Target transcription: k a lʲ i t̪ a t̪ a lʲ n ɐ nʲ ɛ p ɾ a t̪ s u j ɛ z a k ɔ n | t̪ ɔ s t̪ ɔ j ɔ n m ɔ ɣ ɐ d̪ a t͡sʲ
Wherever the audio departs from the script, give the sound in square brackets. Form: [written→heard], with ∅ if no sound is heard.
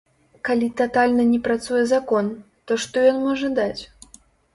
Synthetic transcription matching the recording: k a lʲ i t̪ a t̪ a lʲ n ɐ nʲ ɛ p ɾ a t̪ s u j ɛ z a k ɔ n | t̪ ɔ [s→ʂ] t̪ ɔ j ɔ n m ɔ [ɣ→ʐ] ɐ d̪ a t͡sʲ